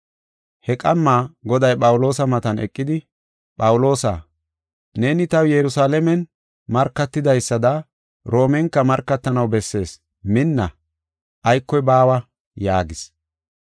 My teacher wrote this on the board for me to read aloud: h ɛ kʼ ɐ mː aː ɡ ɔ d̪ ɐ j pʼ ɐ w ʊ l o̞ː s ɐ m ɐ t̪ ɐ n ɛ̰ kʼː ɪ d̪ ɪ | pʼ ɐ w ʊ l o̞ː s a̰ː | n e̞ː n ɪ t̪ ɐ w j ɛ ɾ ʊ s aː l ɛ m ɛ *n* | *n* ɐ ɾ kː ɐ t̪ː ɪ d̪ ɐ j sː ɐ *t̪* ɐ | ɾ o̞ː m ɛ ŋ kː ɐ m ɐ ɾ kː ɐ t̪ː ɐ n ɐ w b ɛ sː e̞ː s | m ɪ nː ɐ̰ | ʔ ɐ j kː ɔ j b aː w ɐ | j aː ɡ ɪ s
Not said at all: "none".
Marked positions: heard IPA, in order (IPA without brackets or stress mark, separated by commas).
n, m, d̪